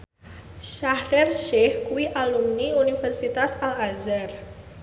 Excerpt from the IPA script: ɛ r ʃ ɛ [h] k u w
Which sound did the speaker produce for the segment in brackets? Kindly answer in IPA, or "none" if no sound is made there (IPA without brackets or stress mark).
h